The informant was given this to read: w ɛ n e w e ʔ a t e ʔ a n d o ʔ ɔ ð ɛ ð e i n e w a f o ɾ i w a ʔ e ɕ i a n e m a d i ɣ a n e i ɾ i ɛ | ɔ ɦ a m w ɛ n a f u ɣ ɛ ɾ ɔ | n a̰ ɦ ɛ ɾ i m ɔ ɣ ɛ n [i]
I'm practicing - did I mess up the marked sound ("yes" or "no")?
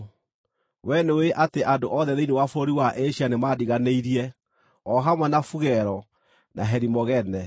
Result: yes